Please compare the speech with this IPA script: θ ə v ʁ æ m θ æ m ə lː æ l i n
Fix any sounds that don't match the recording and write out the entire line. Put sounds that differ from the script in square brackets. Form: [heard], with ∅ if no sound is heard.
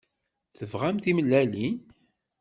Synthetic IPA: θ ə v ʁ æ m θ [i] m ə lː æ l i n